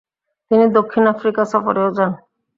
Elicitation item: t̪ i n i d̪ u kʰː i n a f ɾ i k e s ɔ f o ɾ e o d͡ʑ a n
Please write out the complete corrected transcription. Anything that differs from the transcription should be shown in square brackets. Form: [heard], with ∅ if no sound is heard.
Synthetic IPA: t̪ i n i d̪ [o] kʰː i n a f ɾ i k [a] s ɔ f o ɾ e o d͡ʑ a n